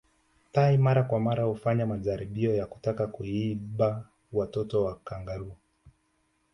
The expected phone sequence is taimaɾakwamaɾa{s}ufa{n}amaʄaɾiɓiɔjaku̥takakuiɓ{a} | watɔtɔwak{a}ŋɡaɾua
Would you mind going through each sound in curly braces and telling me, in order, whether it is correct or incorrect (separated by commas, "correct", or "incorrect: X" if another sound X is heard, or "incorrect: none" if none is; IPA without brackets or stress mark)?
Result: incorrect: h, incorrect: ɲ, correct, correct